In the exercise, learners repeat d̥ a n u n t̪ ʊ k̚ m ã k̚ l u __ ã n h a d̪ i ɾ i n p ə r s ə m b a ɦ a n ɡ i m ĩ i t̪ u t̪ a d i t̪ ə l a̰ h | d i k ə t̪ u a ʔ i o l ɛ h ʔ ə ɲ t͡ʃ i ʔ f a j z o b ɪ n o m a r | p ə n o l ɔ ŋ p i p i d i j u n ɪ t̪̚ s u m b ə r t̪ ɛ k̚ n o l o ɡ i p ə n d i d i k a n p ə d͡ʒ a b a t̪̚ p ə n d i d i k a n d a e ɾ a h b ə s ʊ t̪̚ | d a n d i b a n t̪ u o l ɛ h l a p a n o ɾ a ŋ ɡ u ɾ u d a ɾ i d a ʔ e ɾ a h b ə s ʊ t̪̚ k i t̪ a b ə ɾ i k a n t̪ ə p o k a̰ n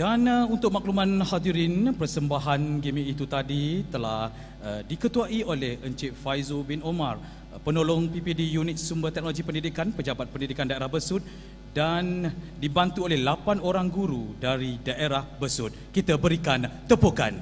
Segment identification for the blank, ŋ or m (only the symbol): m